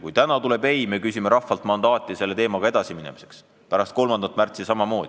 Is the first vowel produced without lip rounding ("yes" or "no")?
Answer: no